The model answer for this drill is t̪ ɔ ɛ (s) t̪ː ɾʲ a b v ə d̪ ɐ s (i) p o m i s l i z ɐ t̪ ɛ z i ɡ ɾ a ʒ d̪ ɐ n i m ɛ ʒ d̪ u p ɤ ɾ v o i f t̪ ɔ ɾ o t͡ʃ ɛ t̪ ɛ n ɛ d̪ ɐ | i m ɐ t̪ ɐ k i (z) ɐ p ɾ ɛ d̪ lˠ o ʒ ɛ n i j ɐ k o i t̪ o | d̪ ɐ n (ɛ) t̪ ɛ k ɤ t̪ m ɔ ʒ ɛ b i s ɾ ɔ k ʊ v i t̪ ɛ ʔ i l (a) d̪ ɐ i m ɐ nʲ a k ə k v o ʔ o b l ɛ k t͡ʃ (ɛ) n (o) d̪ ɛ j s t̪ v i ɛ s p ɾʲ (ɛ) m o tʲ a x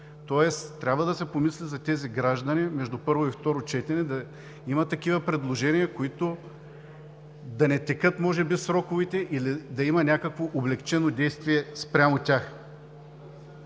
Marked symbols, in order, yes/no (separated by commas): yes, no, no, yes, no, yes, yes, no